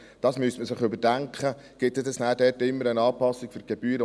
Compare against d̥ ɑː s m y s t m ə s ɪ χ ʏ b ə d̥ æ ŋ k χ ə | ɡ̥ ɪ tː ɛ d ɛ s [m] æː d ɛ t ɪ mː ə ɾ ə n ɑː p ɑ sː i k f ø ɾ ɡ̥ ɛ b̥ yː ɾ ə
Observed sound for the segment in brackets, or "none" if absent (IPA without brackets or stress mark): n